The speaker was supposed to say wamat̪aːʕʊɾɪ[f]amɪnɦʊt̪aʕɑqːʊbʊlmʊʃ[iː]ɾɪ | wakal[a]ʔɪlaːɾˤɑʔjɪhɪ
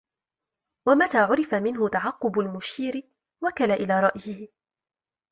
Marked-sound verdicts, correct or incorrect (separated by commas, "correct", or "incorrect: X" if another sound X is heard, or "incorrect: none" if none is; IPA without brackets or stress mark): correct, correct, correct